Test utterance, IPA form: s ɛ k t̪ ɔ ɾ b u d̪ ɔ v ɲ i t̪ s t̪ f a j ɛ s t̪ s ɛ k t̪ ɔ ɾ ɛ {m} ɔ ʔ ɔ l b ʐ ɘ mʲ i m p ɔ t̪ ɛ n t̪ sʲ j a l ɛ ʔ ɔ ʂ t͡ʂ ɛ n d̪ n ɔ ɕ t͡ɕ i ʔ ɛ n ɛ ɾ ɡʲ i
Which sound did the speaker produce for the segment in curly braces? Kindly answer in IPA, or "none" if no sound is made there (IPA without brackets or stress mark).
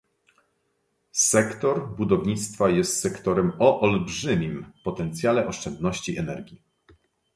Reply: m